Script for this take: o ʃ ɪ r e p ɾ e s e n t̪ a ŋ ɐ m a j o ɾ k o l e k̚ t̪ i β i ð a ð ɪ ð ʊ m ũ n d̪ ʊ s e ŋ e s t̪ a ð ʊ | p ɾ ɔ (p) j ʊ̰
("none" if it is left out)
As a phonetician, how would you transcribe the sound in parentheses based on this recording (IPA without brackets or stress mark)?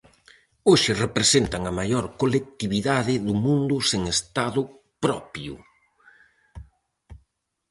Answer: p